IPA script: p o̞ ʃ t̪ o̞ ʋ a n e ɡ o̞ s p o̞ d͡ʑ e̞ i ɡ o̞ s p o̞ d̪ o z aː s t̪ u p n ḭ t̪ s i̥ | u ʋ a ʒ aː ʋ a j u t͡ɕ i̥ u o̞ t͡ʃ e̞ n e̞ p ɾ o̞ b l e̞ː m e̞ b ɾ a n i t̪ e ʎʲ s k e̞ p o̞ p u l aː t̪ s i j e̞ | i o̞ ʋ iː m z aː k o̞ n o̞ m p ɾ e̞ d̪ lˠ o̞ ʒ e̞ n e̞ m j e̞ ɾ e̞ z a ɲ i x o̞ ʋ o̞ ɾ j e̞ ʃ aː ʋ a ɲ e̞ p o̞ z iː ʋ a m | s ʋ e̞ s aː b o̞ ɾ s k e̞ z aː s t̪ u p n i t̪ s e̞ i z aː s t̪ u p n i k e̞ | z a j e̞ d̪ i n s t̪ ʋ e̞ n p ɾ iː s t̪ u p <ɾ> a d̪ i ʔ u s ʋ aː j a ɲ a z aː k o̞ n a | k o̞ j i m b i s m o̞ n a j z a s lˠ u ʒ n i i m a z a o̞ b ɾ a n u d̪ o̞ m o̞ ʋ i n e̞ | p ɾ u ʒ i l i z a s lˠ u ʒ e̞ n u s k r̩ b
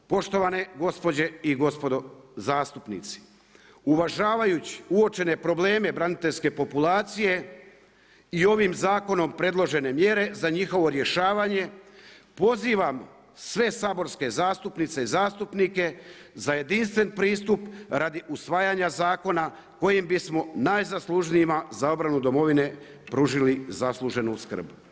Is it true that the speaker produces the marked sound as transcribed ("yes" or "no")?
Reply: yes